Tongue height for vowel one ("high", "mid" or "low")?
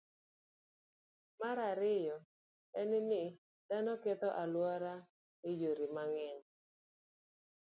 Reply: low